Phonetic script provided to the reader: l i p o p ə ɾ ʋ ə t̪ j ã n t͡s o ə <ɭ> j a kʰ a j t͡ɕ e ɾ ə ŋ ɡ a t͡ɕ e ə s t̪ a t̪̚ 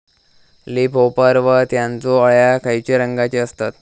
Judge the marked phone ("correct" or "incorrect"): correct